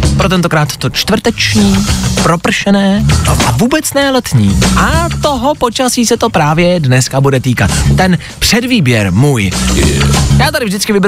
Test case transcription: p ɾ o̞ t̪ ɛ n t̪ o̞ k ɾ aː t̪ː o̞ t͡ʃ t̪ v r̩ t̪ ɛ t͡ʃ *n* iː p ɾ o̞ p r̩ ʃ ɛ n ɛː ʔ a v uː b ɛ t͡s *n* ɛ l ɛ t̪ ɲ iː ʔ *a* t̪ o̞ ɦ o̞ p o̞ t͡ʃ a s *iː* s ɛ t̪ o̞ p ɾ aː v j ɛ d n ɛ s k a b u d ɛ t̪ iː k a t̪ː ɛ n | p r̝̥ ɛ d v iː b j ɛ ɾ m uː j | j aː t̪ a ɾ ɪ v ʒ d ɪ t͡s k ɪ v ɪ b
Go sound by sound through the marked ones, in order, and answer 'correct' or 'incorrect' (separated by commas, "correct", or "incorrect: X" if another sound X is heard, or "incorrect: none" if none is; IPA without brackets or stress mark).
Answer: incorrect: ɲ, correct, correct, correct